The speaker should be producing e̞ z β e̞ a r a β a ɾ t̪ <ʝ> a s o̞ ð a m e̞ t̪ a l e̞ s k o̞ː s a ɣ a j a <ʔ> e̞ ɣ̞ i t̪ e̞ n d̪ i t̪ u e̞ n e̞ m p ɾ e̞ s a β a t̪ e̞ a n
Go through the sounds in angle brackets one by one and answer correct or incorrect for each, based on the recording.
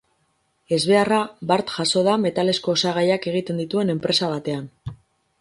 correct, incorrect: k

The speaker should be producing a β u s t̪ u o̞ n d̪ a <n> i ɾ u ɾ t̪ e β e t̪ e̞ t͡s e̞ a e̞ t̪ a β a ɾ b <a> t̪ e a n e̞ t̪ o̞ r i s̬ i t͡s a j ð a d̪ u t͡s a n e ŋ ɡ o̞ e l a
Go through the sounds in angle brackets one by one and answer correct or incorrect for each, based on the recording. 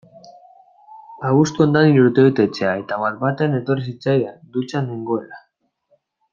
correct, correct

